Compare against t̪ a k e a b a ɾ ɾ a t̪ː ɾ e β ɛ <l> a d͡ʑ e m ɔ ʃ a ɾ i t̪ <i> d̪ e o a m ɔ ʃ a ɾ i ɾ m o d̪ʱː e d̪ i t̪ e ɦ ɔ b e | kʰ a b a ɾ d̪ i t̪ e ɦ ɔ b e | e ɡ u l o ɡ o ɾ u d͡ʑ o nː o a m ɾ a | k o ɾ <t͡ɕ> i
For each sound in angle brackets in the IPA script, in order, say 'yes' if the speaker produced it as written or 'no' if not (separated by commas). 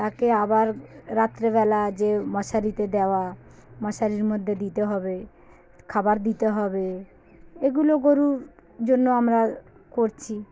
yes, no, no